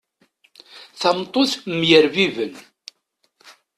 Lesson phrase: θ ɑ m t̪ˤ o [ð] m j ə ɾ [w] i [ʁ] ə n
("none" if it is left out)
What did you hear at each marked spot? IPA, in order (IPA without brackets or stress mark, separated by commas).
θ, v, v